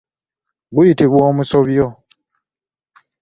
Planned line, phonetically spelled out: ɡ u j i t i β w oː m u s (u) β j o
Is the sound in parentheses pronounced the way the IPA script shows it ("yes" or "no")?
no